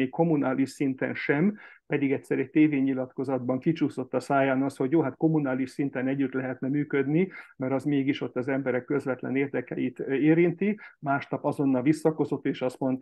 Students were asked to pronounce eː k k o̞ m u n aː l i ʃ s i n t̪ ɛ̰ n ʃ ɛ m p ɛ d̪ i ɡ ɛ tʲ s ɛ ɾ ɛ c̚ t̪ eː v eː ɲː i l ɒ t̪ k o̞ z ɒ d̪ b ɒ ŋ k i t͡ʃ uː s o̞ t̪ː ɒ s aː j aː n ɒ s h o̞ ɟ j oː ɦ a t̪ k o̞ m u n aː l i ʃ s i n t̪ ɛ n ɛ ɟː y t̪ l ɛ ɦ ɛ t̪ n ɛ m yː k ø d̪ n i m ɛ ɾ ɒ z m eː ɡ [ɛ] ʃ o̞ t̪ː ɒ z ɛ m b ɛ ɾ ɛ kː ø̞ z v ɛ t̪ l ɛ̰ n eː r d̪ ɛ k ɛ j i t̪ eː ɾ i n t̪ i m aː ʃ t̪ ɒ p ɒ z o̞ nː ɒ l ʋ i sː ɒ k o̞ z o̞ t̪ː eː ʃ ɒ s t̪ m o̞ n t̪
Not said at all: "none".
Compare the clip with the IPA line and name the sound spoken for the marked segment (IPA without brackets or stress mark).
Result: i